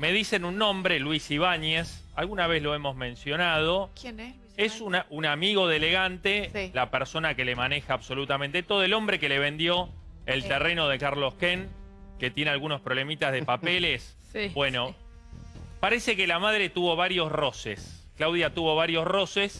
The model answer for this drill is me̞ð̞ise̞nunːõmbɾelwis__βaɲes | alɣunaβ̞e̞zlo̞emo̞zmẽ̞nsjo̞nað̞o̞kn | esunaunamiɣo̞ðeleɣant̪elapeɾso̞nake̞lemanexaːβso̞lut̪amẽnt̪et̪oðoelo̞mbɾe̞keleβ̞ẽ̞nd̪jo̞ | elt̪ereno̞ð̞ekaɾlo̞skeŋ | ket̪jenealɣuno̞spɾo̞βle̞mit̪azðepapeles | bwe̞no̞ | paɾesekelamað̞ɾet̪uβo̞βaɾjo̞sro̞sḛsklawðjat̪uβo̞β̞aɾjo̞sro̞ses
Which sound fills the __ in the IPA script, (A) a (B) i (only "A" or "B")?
B